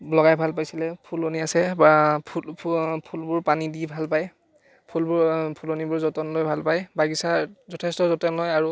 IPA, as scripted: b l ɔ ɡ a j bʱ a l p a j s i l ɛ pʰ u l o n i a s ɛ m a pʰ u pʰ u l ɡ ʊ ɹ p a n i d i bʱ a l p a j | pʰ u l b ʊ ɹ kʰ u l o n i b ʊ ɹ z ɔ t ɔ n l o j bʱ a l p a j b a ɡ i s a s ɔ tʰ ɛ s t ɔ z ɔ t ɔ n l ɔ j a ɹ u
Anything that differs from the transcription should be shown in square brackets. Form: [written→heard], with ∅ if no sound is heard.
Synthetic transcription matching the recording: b l ɔ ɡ a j bʱ a l p a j s i l ɛ pʰ u l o n i a s ɛ [m→b] a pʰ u pʰ u l [ɡ→b] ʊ ɹ p a n i d i bʱ a l p a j | pʰ u l b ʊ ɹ [kʰ→pʰ] u l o n i b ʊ ɹ z ɔ t ɔ n l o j bʱ a l p a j b a ɡ i s a [s→z] ɔ tʰ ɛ s t ɔ z ɔ t ɔ n l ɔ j a ɹ u